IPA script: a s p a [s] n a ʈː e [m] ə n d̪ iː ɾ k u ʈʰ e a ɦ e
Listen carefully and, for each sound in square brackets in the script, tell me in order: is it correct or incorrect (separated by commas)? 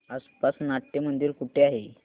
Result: correct, correct